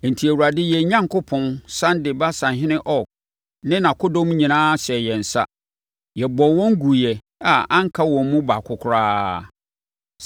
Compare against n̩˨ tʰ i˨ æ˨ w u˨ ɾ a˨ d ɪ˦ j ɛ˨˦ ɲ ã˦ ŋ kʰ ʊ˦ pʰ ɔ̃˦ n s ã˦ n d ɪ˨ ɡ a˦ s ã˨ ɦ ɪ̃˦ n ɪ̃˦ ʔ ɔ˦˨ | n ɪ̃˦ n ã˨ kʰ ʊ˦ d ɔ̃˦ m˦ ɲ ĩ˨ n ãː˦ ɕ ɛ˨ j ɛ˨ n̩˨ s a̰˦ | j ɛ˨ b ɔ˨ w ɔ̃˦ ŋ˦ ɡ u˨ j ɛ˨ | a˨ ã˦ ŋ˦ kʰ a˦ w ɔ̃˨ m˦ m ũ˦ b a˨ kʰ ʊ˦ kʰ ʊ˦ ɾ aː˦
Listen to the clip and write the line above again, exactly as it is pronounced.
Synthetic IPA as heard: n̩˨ tʰ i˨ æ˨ w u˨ ɾ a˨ d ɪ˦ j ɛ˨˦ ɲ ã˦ ŋ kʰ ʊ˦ pʰ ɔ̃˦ n s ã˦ n d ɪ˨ b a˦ s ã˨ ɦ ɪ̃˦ n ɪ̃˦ ʔ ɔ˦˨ | n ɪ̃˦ n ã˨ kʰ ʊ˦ d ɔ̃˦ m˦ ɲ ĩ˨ n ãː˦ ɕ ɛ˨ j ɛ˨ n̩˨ s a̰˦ | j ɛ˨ b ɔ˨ w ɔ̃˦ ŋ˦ ɡ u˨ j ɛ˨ | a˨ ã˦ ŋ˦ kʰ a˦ w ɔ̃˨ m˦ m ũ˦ b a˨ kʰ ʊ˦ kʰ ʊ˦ ɾ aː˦